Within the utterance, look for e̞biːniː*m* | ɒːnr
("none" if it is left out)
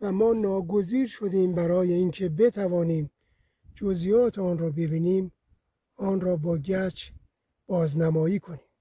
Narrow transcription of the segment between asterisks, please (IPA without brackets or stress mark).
m